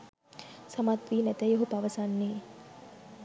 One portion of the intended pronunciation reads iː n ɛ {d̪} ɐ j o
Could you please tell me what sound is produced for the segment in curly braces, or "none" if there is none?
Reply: t̪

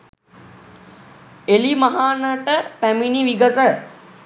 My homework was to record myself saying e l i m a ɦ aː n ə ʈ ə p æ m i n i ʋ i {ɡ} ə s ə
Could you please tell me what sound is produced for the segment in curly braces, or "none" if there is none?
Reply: ɡ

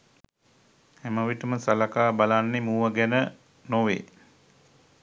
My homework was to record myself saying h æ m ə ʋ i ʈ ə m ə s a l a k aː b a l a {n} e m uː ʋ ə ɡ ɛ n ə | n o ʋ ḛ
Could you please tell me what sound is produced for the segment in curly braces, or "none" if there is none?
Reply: nː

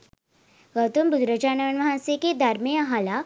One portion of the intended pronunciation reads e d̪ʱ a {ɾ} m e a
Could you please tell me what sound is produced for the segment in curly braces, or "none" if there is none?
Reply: ɾ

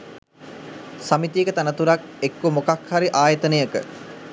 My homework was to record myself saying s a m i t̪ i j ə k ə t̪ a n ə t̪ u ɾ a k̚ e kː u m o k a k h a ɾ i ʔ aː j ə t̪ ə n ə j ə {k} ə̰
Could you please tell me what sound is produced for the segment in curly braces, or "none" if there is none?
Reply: k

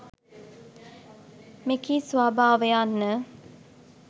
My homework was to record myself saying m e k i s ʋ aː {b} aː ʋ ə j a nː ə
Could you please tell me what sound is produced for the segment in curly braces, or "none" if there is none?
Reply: b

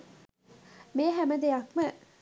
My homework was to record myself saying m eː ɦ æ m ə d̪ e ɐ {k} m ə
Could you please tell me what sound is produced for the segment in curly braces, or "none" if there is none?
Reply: k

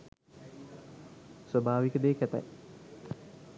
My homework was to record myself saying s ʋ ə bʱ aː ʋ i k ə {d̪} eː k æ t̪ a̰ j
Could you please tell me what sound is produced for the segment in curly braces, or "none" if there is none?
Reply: d̪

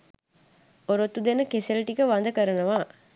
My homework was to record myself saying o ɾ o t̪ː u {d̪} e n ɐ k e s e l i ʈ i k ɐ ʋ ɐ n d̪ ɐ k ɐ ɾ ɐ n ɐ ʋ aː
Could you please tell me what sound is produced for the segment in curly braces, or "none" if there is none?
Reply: d̪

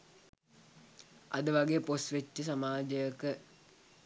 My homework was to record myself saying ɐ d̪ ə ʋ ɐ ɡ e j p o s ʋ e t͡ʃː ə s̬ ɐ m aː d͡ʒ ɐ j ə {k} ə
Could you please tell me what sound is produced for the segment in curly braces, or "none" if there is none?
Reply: k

